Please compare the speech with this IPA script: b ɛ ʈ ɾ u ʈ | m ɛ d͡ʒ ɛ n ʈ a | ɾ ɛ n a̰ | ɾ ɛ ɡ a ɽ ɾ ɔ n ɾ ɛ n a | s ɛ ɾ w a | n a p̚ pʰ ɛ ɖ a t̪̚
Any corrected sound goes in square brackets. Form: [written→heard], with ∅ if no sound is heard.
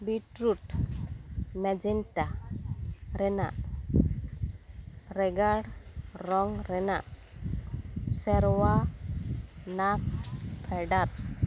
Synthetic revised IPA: b [ɛ→i] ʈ ɾ u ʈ | m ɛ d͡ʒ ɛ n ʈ a | ɾ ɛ n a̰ | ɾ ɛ ɡ a ɽ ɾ ɔ [n→ŋ] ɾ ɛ n a | s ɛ ɾ w a | n a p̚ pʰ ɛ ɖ a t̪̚